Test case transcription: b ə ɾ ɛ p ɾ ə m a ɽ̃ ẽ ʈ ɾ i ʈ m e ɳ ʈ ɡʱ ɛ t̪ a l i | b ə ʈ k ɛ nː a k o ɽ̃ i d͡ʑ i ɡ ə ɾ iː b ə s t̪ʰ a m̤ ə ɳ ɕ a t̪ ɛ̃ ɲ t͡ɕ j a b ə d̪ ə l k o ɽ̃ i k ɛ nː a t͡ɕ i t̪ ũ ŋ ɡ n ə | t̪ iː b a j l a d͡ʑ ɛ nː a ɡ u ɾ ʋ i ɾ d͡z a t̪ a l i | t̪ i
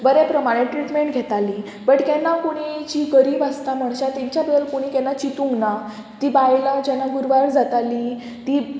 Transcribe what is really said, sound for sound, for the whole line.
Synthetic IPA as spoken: b ə ɾ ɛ p ɾ ə m a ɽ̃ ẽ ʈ ɾ i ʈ m e ɳ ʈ ɡʱ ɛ t̪ a l i | b ə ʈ k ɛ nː a k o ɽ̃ i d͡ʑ i ɡ ə ɾ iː b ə s t̪ a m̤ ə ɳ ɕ a t̪ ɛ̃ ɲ t͡ɕ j a b ə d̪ ə l k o ɽ̃ i k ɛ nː a t͡ɕ i t̪ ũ ŋ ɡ n a | t̪ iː b a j l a d͡ʑ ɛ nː a ɡ u ɾ ʋ a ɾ d͡z a t̪ a l i | t̪ i